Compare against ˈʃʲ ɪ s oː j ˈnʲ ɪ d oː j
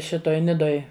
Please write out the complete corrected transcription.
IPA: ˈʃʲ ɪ t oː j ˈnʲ ɪ d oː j